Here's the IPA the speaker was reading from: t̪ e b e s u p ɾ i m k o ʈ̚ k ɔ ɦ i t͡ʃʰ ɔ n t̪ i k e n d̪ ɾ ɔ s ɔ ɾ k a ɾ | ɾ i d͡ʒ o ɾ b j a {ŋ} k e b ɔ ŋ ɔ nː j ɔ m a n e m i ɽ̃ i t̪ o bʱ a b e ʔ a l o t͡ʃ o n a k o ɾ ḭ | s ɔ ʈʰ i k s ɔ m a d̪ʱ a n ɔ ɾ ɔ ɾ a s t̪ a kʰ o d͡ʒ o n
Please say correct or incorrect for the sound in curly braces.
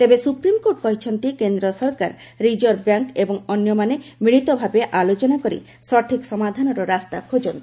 correct